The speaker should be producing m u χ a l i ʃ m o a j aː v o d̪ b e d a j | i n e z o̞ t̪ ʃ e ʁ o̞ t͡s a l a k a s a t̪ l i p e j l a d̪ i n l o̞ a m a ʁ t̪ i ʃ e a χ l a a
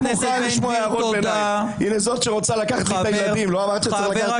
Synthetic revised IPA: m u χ a l i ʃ m o a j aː v o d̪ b e n a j | i n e z o̞ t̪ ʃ e ʁ o̞ t͡s a l a k a χ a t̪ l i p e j l a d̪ i m l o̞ a m a ʁ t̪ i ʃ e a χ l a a